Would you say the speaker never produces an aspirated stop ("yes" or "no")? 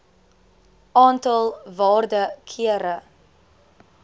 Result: no